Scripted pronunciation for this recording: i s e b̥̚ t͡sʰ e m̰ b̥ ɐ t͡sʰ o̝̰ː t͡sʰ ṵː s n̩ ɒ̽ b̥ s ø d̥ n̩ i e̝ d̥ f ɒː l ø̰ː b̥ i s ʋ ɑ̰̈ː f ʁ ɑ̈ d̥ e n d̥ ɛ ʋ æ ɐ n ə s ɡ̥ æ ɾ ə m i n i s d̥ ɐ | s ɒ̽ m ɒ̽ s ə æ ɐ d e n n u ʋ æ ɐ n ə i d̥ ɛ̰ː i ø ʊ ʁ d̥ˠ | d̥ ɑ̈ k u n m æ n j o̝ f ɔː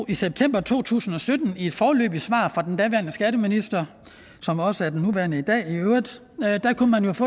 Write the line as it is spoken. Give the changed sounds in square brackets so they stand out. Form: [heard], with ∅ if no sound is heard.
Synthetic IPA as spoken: i s e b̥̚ t͡sʰ e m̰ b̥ ɐ t͡sʰ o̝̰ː t͡sʰ ṵː s n̩ ɒ̽ [∅] s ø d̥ n̩ i e̝ d̥ f ɒː l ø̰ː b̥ i s ʋ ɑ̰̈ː f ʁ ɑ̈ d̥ e n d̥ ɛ ʋ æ ɐ n ə s ɡ̥ æ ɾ ə m i n i s d̥ ɐ | s ɒ̽ m ɒ̽ s ə æ ɐ d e n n u ʋ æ ɐ n ə i d̥ ɛ̰ː i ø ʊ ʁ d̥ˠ | d̥ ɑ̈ k u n m æ n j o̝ f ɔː